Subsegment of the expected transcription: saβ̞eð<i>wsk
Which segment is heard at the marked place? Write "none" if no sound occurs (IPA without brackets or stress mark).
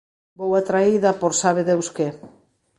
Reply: e